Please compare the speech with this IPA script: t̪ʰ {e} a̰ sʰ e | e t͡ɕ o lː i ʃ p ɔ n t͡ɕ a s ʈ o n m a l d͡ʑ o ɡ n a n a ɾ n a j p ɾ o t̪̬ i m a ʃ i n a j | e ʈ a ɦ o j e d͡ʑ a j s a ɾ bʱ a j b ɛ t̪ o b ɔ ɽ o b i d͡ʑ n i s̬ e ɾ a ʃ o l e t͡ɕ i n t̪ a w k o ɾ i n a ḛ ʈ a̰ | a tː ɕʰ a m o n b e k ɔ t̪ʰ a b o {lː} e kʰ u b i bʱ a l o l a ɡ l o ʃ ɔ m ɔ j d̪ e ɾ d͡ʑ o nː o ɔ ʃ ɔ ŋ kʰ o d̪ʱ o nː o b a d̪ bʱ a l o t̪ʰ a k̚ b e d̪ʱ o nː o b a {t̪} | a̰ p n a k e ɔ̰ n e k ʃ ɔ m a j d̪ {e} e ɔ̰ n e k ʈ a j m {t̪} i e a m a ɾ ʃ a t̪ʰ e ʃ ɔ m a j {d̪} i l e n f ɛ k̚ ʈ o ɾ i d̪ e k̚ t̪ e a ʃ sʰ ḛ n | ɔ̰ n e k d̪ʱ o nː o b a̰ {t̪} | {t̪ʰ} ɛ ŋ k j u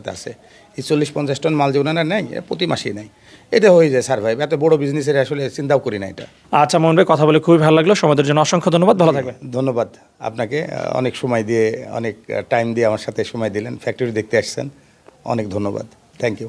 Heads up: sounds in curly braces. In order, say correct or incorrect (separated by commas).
correct, incorrect, incorrect, incorrect, incorrect, correct, incorrect, correct